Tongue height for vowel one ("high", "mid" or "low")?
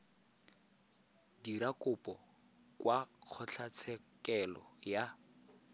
high